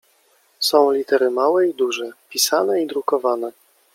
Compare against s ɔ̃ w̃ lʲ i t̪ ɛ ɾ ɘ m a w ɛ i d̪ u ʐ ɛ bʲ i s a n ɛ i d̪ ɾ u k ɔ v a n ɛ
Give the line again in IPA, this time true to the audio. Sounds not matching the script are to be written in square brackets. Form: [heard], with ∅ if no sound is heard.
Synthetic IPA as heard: s ɔ̃ w̃ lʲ i t̪ ɛ ɾ ɘ m a w ɛ i d̪ u ʐ ɛ [pʲ] i s a n ɛ i d̪ ɾ u k ɔ v a n ɛ